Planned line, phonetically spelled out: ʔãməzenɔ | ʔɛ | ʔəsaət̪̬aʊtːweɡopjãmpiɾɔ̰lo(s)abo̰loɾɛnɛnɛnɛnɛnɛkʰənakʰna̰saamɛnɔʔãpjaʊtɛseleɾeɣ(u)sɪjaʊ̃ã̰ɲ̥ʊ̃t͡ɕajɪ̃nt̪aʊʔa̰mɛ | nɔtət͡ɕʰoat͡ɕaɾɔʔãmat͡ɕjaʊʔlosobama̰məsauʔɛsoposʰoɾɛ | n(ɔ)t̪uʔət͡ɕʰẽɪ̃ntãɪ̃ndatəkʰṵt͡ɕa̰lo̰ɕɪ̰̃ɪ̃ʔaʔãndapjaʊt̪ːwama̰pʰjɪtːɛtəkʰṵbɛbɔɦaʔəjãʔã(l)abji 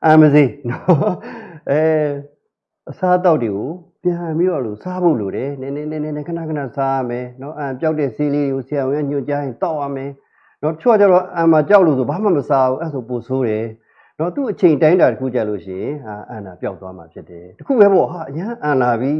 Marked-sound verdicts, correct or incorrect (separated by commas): correct, incorrect, correct, correct